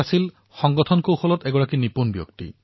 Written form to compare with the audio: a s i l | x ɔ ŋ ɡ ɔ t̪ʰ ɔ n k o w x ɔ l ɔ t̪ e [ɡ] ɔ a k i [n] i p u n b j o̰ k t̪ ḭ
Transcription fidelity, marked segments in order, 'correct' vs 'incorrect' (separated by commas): correct, correct